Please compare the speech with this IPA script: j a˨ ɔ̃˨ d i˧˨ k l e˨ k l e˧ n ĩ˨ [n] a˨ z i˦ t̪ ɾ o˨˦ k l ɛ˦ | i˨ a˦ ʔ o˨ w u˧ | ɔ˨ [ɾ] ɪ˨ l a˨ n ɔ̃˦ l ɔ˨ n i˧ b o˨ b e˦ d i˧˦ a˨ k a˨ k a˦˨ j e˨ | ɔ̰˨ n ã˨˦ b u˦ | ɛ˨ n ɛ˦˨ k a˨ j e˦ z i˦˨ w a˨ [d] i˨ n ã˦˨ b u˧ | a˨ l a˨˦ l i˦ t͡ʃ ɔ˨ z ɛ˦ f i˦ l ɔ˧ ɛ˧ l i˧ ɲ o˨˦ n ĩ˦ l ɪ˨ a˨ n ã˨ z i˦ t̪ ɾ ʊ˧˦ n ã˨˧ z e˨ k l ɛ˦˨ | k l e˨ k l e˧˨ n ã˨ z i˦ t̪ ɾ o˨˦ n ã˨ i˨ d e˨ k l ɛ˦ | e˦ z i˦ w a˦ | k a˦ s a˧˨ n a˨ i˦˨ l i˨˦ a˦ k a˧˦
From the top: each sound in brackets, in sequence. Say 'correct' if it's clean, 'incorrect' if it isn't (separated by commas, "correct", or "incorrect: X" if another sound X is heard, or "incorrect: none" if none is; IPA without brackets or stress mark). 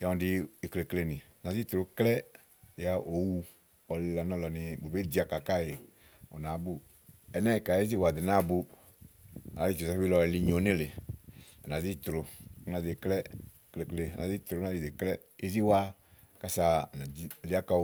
correct, incorrect: l, correct